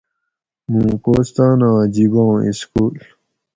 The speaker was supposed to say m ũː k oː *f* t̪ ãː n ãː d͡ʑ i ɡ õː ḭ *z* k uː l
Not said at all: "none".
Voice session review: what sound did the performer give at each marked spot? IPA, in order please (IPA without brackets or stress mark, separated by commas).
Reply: s, s